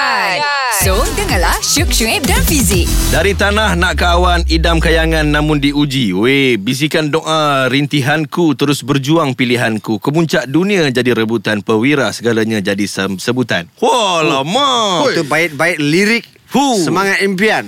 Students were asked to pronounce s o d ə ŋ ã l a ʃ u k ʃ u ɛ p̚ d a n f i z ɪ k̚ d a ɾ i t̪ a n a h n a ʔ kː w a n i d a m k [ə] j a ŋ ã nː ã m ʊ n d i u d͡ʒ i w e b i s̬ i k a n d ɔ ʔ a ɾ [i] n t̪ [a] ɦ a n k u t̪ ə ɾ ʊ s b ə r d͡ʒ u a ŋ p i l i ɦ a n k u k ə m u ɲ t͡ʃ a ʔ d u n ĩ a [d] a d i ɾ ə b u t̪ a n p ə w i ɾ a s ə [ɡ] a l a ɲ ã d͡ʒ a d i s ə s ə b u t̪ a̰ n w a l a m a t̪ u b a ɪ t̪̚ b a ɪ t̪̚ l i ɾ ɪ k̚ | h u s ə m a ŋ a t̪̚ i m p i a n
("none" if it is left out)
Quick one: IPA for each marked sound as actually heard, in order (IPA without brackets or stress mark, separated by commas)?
a, i, i, d͡ʒ, ɡ